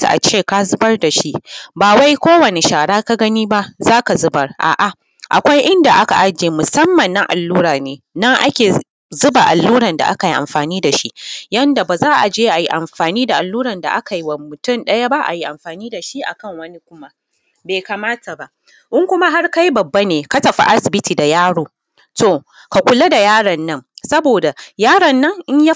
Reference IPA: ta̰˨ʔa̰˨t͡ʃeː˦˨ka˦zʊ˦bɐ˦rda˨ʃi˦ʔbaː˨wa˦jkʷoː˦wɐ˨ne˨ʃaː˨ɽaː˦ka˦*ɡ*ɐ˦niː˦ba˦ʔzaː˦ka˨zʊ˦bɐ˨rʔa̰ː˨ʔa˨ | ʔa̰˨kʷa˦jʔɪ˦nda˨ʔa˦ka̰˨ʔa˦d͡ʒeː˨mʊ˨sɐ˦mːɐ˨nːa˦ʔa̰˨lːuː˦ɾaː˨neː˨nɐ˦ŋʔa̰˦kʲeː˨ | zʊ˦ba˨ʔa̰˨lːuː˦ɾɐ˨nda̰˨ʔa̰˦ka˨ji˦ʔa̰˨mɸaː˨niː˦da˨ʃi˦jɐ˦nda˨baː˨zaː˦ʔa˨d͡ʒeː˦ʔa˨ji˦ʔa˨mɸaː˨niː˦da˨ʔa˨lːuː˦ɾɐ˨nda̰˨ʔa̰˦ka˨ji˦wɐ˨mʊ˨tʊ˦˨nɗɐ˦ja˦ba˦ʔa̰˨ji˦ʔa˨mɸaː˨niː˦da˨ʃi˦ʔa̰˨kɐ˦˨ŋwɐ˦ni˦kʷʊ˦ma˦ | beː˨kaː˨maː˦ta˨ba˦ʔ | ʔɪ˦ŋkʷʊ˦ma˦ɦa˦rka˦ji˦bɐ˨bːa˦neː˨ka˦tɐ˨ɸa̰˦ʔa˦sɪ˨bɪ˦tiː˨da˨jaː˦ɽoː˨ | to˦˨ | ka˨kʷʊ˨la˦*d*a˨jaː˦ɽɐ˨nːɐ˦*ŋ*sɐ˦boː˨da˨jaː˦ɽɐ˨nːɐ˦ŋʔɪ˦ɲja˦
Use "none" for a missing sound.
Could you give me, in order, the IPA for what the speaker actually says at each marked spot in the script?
ɡ, d, ŋ

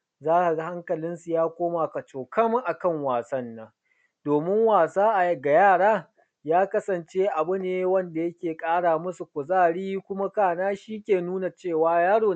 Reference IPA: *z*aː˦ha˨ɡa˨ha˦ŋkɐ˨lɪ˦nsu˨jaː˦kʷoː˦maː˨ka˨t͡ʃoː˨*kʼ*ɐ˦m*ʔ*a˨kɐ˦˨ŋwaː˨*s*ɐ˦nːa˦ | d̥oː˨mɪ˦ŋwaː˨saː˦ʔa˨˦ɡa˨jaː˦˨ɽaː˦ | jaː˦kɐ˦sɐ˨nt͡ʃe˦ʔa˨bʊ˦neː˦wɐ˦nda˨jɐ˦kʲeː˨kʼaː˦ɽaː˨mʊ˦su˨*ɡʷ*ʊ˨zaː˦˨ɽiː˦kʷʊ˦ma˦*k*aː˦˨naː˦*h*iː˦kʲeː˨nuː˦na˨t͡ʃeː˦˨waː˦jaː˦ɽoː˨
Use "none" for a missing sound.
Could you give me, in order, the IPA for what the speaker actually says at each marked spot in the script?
z, k, ʔ, s, kʷ, k, ʃ

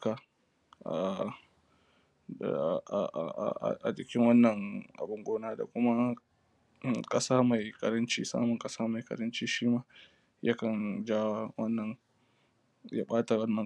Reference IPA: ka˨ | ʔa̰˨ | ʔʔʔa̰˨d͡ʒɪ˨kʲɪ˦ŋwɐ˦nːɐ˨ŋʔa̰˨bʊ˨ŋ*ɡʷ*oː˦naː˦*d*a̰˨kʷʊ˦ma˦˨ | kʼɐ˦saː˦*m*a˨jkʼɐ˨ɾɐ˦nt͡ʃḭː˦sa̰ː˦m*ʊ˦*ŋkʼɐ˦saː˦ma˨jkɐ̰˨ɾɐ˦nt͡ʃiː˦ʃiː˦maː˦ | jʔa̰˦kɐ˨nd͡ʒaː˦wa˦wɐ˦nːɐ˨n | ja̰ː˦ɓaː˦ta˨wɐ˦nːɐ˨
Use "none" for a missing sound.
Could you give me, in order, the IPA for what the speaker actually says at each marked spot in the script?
ɡʷ, d, m, ʊ˨

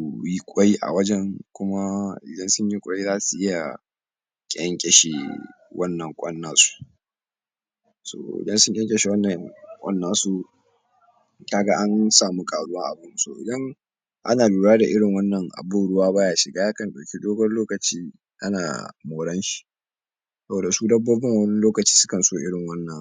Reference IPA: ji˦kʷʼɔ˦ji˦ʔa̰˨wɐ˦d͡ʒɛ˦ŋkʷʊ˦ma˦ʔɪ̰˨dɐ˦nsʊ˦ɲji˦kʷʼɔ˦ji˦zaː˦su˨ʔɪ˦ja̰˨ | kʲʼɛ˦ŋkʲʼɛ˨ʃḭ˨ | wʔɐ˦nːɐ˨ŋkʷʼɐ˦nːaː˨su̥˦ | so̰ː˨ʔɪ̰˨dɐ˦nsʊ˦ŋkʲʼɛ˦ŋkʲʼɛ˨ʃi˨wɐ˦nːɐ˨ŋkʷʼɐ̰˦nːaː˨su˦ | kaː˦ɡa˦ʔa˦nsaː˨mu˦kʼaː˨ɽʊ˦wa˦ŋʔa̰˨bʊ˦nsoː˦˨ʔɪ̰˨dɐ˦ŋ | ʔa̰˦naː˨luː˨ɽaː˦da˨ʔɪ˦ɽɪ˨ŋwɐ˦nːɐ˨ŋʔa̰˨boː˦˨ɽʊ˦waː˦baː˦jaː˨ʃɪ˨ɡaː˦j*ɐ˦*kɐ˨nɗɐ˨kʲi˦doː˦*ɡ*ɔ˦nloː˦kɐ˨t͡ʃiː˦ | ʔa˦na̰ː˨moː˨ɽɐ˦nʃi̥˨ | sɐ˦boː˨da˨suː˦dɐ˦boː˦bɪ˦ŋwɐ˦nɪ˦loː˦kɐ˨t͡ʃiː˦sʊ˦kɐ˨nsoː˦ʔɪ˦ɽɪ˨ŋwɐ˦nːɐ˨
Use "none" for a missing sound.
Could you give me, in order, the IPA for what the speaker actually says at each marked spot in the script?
a˦, ɡ

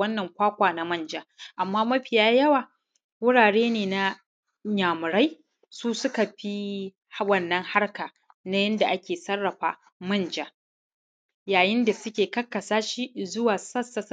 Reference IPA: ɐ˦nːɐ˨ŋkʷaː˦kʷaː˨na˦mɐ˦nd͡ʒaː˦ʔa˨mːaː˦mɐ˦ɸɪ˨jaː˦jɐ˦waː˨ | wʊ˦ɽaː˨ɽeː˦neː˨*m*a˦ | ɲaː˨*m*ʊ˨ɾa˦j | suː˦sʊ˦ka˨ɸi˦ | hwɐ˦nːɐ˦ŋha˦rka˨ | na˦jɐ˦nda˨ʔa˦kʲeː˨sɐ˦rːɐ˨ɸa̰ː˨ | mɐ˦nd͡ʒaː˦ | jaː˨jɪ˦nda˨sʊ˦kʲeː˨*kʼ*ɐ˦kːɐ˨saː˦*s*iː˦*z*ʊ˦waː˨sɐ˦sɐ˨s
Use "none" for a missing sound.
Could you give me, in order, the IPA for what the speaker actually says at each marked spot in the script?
n, m, k, ʃ, z

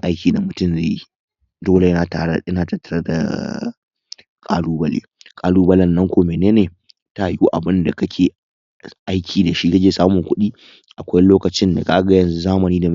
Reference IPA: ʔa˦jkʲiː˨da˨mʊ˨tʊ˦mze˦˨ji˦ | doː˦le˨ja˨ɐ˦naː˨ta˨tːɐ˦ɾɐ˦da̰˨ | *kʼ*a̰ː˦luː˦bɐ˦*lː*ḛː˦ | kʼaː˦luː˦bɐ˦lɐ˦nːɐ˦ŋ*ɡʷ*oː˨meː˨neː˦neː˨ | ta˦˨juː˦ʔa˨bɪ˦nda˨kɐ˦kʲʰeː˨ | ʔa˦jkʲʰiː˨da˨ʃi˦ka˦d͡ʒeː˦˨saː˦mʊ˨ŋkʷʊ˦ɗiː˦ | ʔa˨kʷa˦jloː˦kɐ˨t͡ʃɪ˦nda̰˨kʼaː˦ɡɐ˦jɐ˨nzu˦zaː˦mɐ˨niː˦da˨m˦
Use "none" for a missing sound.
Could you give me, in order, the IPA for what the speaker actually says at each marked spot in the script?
kʼ, l, kʷ

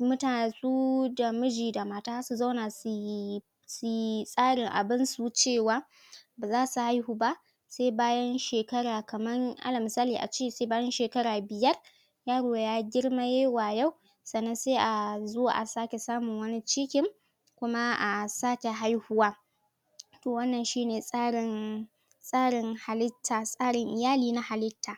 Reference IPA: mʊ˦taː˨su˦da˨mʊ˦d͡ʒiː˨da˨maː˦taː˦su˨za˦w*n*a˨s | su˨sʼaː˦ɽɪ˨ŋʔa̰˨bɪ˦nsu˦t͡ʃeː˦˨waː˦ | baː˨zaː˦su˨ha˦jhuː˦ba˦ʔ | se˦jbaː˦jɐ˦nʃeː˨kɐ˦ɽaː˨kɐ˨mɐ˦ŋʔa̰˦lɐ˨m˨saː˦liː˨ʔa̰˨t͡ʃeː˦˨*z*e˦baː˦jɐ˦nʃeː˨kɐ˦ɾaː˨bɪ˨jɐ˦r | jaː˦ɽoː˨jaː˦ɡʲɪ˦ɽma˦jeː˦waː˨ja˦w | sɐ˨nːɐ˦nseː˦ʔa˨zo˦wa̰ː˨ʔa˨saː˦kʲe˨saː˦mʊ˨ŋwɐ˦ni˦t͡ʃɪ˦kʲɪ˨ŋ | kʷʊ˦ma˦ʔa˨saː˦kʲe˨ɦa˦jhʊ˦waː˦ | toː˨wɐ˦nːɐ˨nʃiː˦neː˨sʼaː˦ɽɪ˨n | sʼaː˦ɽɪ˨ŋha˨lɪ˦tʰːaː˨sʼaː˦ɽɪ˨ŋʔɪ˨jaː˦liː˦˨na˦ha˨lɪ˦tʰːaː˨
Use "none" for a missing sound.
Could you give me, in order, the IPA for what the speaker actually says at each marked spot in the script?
n, s

